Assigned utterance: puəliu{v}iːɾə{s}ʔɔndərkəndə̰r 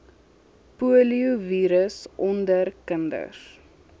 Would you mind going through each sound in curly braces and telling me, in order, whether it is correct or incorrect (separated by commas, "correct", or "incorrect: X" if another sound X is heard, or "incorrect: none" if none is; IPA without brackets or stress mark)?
correct, correct